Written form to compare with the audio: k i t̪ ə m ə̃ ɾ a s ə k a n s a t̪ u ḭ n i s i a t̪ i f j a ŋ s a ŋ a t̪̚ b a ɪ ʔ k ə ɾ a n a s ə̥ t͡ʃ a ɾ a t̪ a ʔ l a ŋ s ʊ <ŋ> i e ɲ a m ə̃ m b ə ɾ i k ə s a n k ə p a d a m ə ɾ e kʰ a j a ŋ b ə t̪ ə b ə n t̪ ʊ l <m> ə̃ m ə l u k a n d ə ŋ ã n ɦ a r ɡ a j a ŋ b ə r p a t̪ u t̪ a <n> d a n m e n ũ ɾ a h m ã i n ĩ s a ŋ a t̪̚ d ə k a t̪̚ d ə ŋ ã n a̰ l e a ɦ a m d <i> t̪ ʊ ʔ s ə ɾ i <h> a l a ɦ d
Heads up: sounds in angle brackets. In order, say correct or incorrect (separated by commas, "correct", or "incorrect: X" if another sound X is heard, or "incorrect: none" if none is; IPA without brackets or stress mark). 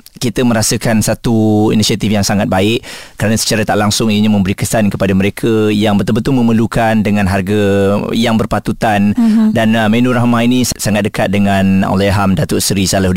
correct, correct, correct, incorrect: a, incorrect: s